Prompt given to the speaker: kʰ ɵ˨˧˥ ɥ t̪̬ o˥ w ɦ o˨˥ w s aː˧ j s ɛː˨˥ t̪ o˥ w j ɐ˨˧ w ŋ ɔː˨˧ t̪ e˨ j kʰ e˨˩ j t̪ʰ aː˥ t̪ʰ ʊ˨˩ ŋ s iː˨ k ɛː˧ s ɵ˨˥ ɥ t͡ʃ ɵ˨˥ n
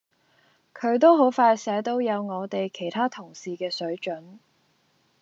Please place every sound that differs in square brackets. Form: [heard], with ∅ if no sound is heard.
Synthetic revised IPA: kʰ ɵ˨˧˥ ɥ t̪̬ o˥ w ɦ o˨˥ w [f] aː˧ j s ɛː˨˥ t̪ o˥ w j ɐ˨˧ w ŋ ɔː˨˧ t̪ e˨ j kʰ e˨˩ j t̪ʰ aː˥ t̪ʰ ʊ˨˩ ŋ s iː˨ k ɛː˧ s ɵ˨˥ ɥ t͡ʃ ɵ˨˥ n